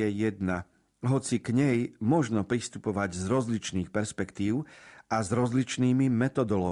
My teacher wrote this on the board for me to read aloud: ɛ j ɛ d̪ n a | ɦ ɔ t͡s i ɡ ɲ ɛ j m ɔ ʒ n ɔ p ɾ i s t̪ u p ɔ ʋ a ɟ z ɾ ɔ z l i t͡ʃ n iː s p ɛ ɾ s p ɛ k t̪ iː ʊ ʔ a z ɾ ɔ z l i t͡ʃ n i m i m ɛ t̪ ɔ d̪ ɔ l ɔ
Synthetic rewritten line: ɛ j ɛ d̪ n a | ɦ ɔ t͡s i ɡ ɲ ɛ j m ɔ ʒ n ɔ p ɾ i s t̪ u p ɔ ʋ a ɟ z ɾ ɔ z l i t͡ʃ n iː x p ɛ ɾ s p ɛ k t̪ iː ʊ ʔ a z ɾ ɔ z l i t͡ʃ n iː m i m ɛ t̪ ɔ d̪ ɔ l ɔ